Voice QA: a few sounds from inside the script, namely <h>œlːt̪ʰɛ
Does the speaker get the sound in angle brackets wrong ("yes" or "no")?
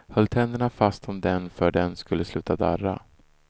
no